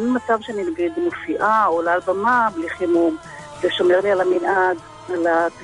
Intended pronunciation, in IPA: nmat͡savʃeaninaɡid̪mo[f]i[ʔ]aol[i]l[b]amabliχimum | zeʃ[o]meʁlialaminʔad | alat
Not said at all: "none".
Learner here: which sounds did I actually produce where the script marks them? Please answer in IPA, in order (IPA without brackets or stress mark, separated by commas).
f, ʔ, a, b, o